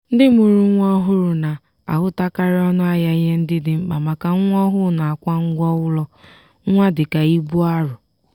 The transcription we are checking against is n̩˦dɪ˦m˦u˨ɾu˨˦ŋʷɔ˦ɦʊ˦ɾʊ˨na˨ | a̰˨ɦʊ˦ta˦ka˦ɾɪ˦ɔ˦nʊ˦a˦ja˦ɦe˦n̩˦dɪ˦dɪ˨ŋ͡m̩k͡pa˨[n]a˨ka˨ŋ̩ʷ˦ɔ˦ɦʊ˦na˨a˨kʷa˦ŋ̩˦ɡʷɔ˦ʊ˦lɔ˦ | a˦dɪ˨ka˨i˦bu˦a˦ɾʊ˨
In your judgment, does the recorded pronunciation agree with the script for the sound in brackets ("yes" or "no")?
no